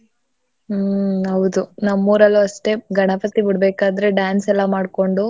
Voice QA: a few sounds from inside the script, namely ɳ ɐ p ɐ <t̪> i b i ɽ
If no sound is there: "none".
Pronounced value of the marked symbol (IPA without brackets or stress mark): t̪